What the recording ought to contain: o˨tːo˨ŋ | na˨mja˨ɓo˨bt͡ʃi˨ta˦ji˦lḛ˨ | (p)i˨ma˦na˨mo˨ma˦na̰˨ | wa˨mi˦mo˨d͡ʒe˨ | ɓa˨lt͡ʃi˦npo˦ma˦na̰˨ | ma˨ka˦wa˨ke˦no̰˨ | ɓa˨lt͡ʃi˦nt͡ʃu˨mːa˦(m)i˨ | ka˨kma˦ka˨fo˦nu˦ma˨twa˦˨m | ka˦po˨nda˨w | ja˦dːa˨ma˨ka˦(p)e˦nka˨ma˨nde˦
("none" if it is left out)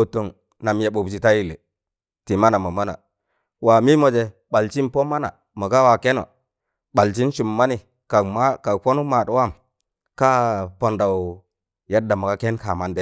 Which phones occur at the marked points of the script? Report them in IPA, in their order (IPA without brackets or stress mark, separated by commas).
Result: t, n, k